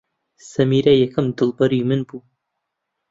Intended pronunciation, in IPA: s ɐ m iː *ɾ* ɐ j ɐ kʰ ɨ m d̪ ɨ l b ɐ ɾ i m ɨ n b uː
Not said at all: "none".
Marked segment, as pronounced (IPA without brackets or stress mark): ɾ